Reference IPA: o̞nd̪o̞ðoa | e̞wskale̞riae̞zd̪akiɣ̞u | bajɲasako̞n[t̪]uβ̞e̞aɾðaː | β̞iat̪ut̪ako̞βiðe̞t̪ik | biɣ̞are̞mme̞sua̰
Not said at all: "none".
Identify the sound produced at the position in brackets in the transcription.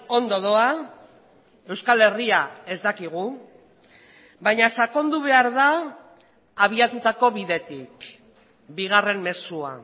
d̪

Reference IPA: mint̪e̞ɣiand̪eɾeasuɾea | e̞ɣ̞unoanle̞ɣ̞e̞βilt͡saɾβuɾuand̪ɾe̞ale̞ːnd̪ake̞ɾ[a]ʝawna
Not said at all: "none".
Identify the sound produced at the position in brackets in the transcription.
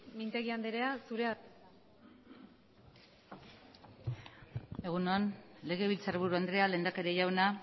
e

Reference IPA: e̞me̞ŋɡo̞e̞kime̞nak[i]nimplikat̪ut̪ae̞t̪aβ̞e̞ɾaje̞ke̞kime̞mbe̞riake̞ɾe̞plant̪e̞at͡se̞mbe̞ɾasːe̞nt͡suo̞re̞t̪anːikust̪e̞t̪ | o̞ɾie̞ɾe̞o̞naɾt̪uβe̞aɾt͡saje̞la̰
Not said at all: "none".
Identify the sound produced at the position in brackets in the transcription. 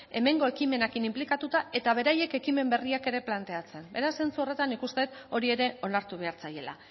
i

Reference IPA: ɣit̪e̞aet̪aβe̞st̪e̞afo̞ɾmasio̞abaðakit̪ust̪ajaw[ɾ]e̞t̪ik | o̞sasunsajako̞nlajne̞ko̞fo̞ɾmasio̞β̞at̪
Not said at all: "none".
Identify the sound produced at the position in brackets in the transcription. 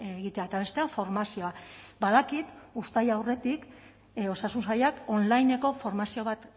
r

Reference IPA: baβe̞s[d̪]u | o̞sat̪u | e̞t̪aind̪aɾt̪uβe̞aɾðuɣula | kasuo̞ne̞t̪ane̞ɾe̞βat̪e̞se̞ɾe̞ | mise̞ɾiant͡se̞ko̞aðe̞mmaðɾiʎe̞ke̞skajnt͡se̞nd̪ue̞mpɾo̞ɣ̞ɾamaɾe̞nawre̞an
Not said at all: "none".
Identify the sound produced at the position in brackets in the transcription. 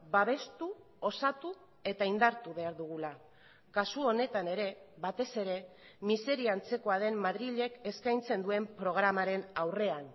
t̪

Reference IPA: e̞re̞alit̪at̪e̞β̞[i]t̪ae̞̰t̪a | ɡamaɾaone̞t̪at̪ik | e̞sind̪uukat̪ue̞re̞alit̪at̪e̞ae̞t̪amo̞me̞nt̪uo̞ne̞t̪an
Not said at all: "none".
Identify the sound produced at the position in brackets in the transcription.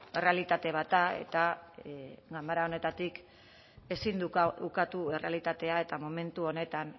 a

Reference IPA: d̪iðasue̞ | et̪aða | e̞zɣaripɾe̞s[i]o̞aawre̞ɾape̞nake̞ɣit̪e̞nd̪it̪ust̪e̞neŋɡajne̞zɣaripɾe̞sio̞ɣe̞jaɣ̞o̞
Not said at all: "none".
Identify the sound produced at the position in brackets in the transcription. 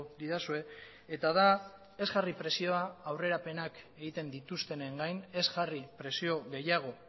i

